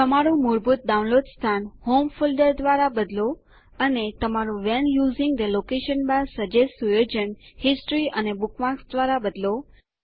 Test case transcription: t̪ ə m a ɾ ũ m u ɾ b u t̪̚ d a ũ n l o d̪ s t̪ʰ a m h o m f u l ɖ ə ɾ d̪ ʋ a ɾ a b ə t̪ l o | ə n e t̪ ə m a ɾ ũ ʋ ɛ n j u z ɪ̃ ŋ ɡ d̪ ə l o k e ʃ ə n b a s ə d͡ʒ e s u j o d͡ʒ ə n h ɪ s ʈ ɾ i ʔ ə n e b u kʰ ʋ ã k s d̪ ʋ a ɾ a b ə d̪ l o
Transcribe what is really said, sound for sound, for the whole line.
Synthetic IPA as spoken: t̪ ə m a ɾ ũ m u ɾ b u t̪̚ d a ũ n l o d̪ s t̪ʰ a n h o m f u l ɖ ə ɾ d̪ ʋ a ɾ a b ə d̪ l o | ə n e t̪ ə m a ɾ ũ ʋ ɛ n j u z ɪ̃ ŋ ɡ d̪ ə l o k e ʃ ə n b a s ə d͡ʒ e s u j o d͡ʒ ə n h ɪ s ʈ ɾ i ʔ ə n e b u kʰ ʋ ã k s d̪ ʋ a ɾ a b ə d̪ l o